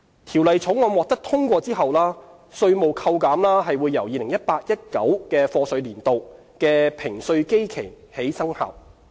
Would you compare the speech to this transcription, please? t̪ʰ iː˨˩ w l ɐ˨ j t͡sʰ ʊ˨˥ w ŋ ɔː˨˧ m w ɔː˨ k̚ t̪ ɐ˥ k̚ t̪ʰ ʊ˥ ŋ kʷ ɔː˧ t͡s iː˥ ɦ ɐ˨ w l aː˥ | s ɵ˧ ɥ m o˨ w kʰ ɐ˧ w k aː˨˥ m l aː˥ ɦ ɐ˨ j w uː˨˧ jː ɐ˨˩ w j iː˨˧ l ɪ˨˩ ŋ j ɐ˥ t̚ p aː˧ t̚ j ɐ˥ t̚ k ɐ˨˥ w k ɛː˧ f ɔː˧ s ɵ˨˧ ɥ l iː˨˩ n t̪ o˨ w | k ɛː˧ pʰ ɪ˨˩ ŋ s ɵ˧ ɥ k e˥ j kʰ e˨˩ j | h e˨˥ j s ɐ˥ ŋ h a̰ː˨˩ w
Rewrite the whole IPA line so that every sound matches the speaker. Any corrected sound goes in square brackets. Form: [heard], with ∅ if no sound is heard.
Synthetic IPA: t̪ʰ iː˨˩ w l ɐ˨ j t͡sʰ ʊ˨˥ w ŋ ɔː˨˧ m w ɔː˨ k̚ t̪ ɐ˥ k̚ t̪ʰ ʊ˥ ŋ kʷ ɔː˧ t͡s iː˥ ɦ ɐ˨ w l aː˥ | s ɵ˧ ɥ m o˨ w kʰ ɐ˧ w k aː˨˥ m l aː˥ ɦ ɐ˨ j w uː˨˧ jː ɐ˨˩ w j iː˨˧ l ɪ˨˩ ŋ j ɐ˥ t̚ p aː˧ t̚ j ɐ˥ t̚ k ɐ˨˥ w k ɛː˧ f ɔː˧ s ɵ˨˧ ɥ l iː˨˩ n t̪ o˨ w | k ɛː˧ pʰ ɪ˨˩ ŋ s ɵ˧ ɥ k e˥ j kʰ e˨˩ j | h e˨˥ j s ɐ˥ ŋ h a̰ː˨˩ w

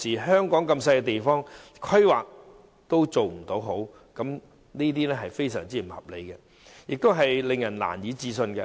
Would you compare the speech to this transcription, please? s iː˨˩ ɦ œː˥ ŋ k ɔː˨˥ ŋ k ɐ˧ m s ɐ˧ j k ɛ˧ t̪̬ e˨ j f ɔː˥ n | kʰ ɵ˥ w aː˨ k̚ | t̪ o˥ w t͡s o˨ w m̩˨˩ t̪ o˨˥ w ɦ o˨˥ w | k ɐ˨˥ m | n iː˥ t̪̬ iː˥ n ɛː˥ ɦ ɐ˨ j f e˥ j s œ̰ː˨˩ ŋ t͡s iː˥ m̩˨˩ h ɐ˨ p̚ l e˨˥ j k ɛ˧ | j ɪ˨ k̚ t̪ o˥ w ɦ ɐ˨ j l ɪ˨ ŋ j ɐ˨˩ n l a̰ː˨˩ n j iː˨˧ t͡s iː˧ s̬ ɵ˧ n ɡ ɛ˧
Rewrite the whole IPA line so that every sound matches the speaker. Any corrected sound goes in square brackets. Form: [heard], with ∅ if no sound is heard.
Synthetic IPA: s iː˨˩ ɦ œː˥ ŋ k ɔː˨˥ ŋ k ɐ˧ m s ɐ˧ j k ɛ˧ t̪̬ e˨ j f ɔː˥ [ŋ] | kʰ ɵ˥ w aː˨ k̚ | t̪ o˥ w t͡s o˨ w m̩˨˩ t̪ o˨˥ w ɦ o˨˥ w | k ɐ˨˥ m | n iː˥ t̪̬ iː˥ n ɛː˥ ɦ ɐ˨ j f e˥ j s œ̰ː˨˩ ŋ t͡s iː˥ m̩˨˩ h ɐ˨ p̚ l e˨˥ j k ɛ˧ | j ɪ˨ k̚ t̪ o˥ w ɦ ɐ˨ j l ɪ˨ ŋ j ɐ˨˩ n l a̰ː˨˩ n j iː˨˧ t͡s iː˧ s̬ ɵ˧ n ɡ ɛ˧

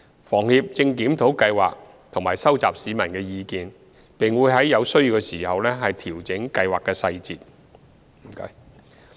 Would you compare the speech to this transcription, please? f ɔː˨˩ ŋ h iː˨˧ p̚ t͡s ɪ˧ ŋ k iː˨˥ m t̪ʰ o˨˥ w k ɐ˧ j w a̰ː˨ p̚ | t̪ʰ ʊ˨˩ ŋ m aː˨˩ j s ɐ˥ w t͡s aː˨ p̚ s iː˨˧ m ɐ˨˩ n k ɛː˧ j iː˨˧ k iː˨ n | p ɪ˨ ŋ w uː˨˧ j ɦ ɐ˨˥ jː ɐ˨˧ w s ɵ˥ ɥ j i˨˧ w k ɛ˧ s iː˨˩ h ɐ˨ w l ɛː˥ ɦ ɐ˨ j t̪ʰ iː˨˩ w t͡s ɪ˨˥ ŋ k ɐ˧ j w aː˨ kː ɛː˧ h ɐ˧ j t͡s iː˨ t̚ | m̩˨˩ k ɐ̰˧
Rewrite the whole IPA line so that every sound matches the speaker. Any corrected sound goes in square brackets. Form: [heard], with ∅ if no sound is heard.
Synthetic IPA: f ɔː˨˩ ŋ h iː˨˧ p̚ t͡s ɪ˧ ŋ k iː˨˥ m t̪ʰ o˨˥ w k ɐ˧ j w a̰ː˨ [k̚] | t̪ʰ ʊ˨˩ ŋ m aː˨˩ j s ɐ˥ w t͡s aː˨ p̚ s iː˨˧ m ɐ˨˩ n k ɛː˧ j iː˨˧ k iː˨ n | p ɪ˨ ŋ w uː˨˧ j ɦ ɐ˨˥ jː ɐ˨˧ w s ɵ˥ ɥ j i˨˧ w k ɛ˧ s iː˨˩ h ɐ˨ w l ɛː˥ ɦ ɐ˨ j t̪ʰ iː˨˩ w t͡s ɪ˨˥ ŋ k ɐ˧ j w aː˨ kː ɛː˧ [s] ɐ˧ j t͡s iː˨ t̚ | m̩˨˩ k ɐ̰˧

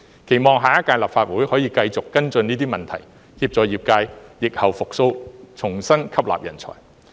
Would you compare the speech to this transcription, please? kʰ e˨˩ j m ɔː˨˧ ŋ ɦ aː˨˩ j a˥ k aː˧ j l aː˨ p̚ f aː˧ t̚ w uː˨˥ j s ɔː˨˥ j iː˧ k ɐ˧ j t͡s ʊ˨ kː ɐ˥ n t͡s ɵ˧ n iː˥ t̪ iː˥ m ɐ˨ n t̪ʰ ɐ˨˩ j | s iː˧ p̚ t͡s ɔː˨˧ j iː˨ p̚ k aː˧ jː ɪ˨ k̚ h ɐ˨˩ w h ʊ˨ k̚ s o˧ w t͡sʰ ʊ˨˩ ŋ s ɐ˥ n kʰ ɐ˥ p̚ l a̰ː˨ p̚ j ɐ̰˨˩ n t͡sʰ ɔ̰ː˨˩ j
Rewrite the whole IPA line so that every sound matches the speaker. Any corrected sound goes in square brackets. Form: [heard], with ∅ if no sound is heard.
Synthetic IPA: kʰ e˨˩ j m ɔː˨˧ ŋ ɦ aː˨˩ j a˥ k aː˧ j l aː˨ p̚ f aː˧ t̚ w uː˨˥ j [h] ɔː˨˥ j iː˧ k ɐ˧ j t͡s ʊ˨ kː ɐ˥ n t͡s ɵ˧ n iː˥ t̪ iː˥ m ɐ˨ n t̪ʰ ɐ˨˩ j | [h] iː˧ p̚ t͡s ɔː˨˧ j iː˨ p̚ k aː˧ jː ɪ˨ k̚ h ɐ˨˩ w [f] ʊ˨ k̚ s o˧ w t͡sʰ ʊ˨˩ ŋ s ɐ˥ n kʰ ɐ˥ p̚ l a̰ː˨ p̚ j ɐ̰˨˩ n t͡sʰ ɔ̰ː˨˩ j

